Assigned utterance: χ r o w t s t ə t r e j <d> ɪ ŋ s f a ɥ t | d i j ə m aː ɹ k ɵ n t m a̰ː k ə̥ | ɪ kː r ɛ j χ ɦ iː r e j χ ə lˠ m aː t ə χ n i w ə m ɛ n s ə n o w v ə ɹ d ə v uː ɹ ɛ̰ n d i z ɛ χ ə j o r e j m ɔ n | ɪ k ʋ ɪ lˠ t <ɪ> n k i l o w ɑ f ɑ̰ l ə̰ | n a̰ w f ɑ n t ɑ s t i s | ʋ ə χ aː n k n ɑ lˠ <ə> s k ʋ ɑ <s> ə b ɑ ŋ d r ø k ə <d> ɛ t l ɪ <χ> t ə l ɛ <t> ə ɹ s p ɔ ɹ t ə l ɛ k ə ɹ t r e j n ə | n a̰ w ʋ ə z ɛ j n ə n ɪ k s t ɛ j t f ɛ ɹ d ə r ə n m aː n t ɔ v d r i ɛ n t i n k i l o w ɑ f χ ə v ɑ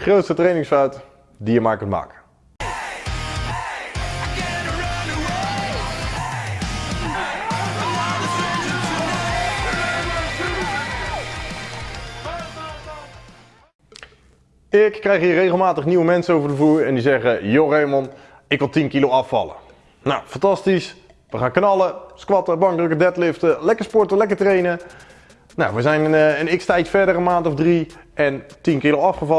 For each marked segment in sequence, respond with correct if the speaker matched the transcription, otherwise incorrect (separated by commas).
incorrect, incorrect, correct, incorrect, correct, incorrect, incorrect